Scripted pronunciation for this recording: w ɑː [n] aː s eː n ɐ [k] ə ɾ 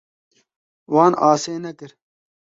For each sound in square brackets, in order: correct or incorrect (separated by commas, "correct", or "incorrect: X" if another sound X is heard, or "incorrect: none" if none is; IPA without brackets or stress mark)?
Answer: correct, correct